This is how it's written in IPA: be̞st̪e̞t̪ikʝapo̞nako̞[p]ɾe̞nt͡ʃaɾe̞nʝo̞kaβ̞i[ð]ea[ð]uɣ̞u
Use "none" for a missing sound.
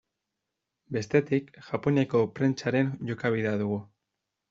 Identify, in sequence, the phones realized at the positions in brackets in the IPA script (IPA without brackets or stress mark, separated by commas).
p, ð, ð